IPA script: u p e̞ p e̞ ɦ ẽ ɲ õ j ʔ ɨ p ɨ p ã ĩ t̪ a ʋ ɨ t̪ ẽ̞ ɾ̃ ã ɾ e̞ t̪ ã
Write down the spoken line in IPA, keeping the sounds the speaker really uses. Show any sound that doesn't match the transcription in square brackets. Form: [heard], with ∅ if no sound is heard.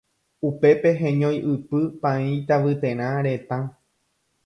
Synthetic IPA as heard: u p e̞ p e̞ ɦ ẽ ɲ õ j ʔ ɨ p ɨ p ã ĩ t̪ a ʋ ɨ t̪ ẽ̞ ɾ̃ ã ɾ e̞ t̪ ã